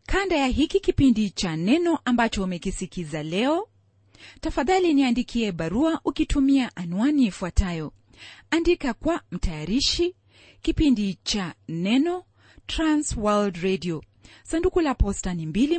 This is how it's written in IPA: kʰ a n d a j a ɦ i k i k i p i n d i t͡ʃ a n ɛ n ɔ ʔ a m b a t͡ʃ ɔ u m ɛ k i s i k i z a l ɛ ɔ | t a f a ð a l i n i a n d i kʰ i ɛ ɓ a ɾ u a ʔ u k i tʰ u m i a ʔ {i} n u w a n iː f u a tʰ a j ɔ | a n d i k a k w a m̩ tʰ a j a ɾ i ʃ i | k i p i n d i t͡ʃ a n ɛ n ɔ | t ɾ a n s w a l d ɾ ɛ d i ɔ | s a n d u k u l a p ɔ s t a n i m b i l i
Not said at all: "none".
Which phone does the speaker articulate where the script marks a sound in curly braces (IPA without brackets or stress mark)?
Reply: a